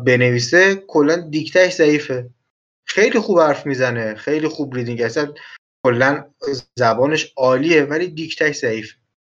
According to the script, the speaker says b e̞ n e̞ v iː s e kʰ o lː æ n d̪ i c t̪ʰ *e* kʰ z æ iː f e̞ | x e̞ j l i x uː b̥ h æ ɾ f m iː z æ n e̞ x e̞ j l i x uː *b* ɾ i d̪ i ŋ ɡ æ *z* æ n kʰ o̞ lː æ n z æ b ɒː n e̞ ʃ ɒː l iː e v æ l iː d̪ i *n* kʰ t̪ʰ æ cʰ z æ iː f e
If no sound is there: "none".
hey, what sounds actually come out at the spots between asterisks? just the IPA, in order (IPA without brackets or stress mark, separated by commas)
æ, b, s, none